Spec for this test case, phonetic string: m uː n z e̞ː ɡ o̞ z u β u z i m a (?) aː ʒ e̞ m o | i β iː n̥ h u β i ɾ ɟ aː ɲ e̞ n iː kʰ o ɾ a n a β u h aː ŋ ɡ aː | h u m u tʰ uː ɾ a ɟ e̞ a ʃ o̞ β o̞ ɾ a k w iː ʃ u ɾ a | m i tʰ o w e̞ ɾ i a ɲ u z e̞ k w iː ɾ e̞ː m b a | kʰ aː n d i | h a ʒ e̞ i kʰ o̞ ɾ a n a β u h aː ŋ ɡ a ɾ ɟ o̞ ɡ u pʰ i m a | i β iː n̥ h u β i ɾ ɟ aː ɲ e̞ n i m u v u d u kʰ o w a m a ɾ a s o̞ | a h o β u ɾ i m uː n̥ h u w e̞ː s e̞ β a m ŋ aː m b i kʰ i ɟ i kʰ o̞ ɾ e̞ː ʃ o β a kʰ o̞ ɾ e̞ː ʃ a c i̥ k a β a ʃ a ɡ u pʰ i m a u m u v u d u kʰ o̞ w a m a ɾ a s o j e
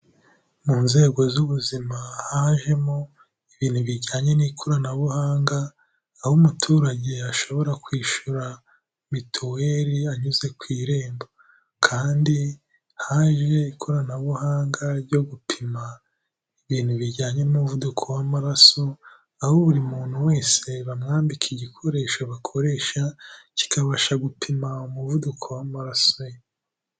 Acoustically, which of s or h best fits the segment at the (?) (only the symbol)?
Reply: h